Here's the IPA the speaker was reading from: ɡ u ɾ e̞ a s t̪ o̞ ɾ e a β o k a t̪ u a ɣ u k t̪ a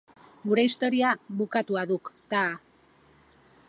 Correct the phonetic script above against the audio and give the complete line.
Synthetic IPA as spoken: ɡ u ɾ e̞ i s t̪ o̞ ɾ i a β u k a t̪ u a ð u k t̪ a